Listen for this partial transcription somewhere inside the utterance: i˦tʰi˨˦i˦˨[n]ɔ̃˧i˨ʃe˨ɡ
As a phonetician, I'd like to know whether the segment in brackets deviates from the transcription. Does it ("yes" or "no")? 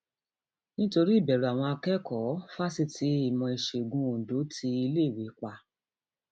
yes